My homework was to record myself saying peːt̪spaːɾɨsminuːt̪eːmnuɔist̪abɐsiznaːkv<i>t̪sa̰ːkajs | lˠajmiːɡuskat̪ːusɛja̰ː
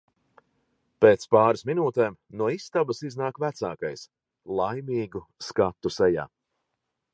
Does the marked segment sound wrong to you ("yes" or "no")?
yes